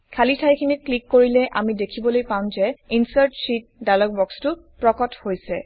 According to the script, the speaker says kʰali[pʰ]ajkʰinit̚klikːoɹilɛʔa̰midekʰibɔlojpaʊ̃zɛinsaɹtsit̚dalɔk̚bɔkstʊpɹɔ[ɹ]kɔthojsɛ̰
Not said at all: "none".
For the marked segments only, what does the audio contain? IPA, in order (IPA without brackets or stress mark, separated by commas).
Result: tʰ, none